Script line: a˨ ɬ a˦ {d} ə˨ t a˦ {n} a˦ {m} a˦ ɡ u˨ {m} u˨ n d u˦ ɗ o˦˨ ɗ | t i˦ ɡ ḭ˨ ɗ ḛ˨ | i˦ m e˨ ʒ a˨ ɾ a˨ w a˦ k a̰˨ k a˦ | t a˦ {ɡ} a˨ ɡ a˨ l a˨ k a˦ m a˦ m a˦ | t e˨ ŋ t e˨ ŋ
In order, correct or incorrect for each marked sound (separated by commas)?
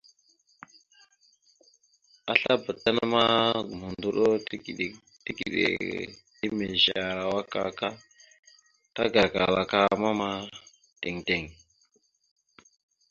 incorrect, correct, correct, correct, correct